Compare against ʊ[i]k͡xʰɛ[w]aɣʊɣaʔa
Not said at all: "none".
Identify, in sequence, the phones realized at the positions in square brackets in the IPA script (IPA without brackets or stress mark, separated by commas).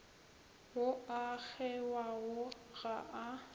a, w